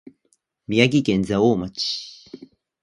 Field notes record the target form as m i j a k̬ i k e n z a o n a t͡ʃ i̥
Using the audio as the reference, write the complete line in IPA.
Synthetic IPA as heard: m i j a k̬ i k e n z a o m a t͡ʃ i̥